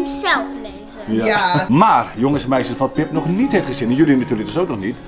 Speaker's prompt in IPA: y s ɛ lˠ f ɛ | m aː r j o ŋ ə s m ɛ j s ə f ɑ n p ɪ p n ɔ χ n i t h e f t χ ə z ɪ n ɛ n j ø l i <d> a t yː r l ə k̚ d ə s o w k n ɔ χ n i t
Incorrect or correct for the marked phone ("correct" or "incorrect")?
incorrect